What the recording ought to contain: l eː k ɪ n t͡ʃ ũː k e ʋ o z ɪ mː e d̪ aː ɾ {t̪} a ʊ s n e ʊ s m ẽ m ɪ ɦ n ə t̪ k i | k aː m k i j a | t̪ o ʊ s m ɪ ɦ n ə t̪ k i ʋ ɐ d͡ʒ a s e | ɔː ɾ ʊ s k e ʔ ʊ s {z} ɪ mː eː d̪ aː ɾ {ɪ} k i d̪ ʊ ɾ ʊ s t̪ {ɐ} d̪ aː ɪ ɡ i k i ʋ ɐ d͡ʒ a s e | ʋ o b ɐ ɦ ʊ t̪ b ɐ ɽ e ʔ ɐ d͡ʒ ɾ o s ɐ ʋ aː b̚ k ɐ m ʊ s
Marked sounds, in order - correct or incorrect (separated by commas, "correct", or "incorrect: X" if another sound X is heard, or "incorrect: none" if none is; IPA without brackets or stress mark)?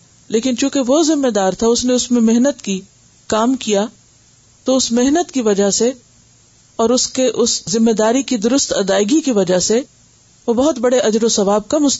incorrect: t̪ʰ, correct, incorrect: i, correct